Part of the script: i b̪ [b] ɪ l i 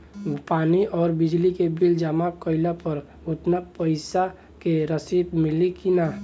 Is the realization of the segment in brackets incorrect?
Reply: yes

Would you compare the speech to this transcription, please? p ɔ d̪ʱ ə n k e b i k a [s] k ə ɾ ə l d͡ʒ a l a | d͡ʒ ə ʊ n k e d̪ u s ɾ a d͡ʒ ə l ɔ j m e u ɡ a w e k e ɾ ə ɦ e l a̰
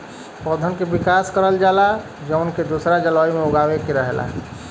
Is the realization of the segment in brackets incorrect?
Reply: no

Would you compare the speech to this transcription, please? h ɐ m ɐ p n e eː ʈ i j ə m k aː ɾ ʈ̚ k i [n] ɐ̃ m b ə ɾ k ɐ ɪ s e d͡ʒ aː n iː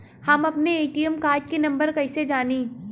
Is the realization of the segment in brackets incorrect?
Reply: no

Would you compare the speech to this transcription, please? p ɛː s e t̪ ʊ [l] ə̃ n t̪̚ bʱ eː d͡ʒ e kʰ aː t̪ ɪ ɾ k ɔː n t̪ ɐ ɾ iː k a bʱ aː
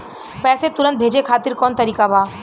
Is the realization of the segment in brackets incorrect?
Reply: yes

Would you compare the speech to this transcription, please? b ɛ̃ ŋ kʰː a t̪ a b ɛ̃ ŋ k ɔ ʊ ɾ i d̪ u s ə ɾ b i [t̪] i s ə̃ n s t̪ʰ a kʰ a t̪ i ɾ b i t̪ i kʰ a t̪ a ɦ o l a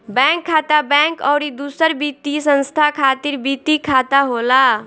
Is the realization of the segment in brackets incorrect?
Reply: no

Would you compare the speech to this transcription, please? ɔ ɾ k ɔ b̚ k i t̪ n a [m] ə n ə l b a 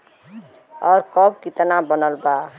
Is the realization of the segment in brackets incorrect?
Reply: yes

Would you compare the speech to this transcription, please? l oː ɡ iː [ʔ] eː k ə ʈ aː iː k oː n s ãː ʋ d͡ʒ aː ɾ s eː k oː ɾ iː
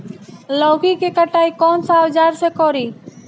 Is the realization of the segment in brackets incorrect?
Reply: yes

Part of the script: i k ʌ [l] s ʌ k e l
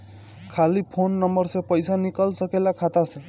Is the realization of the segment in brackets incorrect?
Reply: no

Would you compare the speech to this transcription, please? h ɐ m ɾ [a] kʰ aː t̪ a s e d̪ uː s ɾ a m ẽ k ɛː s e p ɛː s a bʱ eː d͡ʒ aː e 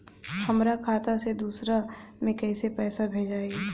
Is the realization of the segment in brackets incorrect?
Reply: no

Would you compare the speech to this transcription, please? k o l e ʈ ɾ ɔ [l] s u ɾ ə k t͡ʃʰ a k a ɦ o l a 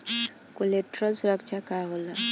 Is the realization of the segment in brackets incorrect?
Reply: no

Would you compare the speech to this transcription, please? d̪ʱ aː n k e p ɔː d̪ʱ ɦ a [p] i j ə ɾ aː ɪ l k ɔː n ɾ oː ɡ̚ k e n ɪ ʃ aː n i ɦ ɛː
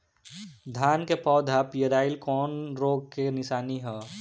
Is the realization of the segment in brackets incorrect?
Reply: no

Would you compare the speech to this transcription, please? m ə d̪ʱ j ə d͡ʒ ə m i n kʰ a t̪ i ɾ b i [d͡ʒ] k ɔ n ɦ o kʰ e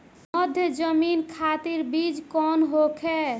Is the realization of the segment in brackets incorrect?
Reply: no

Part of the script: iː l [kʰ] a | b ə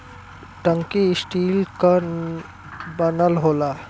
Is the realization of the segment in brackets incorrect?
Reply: yes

